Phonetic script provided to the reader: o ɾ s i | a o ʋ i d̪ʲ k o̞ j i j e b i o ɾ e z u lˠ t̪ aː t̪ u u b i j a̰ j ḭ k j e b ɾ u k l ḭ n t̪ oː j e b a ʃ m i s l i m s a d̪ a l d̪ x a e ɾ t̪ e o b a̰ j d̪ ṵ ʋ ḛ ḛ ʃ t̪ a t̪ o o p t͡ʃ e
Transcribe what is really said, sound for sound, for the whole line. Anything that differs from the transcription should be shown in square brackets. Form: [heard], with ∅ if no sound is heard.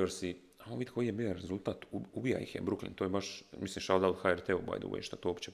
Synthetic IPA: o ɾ s i | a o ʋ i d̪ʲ k o̞ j i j e b i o ɾ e z u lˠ t̪ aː t̪ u u b i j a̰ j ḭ [x] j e b ɾ u k l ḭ n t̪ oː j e b a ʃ m i s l i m [ʃ] a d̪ a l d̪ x a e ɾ t̪ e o b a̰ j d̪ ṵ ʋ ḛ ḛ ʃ t̪ a t̪ o o p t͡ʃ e